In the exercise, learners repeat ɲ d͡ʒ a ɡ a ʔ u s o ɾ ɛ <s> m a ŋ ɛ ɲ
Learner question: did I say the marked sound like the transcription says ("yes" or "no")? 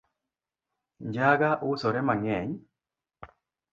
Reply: no